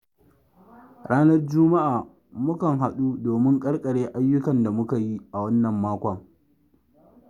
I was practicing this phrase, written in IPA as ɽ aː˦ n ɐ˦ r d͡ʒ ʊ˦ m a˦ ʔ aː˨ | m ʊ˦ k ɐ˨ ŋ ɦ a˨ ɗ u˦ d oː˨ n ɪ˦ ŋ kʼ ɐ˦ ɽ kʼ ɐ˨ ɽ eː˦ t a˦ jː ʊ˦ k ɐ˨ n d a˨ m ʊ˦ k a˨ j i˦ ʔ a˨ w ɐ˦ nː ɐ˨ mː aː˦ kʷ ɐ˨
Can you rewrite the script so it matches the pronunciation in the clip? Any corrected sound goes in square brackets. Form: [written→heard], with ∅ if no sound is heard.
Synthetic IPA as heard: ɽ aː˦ n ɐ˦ r d͡ʒ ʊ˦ m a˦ ʔ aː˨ | m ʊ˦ k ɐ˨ ŋ ɦ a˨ ɗ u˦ d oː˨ [n→m] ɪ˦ ŋ kʼ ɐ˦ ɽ kʼ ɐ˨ ɽ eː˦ [t→ʔ] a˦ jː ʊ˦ k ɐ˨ n d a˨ m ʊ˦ k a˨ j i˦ ʔ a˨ w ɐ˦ nː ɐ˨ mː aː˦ kʷ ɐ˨